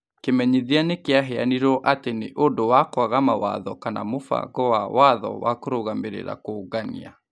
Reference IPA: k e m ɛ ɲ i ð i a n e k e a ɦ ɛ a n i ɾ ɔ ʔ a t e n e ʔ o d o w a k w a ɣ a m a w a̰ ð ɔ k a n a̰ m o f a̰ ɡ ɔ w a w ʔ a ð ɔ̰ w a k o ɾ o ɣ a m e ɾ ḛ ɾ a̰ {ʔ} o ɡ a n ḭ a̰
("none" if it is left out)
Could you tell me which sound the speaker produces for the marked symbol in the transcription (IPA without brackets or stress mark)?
k